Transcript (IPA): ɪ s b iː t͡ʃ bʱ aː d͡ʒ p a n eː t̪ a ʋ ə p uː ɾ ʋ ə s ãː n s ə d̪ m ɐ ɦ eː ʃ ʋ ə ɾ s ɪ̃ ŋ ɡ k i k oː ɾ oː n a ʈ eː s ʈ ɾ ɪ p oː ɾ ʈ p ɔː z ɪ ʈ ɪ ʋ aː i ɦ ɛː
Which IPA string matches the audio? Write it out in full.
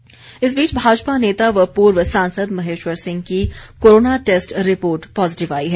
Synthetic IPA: ɪ s b iː t͡ʃ bʱ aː d͡ʒ p a n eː t̪ a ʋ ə p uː ɾ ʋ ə s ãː n s ə d̪ m ɐ ɦ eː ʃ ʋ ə ɾ s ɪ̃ ŋ ɡ k i k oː ɾ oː n a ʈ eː s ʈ ɾ ɪ p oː ɾ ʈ p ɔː z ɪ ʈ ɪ ʋ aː i ɦ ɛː